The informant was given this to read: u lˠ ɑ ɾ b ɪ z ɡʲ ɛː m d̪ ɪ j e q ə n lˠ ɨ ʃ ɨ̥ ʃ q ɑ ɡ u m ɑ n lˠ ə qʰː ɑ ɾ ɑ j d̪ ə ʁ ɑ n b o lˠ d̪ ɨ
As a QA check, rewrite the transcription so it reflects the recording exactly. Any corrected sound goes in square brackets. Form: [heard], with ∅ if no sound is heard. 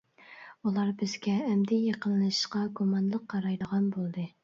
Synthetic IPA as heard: u lˠ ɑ ɾ b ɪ z ɡʲ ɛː m d̪ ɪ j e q ə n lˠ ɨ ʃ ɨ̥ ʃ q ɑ ɡ u m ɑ n lˠ ə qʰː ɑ ɾ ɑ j d̪ ə ʁ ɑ n b o lˠ d̪ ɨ